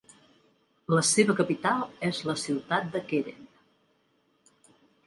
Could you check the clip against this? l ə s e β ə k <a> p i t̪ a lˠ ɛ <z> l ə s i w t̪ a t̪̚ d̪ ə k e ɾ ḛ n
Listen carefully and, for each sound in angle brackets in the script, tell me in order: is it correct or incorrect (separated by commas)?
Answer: incorrect, correct